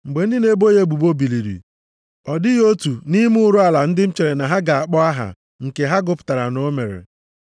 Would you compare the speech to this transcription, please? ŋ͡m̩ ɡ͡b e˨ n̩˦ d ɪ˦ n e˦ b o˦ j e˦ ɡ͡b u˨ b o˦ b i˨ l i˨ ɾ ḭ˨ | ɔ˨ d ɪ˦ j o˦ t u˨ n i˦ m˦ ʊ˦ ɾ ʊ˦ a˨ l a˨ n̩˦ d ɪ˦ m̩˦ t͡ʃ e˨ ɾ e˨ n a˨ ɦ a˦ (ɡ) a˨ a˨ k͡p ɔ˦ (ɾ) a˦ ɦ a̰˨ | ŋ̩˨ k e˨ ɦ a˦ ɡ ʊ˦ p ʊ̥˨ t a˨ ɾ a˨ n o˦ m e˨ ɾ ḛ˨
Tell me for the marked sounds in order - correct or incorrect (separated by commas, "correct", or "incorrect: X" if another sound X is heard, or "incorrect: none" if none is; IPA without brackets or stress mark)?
correct, incorrect: none